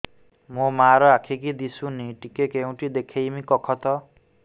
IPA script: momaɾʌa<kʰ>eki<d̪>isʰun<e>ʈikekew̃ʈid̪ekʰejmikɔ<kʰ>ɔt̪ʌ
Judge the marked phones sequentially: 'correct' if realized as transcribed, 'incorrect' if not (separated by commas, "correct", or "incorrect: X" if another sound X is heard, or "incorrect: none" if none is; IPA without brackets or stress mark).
correct, correct, incorrect: i, correct